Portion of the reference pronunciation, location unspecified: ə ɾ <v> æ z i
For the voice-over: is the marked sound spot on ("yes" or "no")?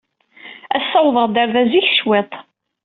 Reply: no